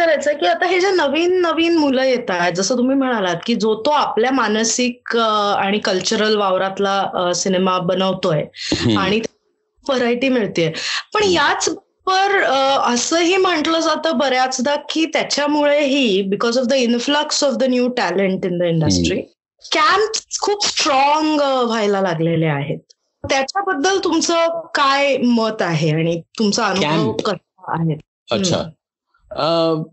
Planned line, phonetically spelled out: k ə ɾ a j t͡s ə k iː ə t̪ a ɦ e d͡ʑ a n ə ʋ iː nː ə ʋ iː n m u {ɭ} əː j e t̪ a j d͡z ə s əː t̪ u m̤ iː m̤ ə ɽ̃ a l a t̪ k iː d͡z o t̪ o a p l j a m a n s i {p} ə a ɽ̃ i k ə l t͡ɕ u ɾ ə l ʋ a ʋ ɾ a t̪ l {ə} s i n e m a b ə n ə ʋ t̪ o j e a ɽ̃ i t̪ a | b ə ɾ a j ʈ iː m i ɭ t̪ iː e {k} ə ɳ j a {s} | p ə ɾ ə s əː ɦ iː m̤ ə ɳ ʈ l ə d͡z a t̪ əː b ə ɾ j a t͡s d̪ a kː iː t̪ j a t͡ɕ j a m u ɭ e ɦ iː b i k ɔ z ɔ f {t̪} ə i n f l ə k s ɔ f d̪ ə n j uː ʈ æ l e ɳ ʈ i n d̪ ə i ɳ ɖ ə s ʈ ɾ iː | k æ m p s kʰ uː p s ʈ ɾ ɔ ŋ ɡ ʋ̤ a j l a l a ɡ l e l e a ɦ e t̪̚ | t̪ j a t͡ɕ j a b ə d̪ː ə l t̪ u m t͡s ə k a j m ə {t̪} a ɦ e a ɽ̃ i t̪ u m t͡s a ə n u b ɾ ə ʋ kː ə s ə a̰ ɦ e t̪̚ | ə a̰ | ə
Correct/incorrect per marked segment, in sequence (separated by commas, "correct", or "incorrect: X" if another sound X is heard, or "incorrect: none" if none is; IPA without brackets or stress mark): incorrect: l, incorrect: k, incorrect: a, incorrect: p, incorrect: t͡s, incorrect: d̪, correct